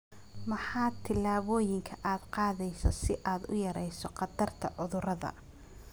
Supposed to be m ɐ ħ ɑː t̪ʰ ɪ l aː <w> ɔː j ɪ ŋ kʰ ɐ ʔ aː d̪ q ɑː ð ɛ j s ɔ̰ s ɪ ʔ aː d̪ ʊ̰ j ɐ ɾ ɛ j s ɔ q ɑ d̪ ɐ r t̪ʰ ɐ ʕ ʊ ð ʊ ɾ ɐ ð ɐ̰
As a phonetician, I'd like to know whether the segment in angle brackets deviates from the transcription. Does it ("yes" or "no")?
yes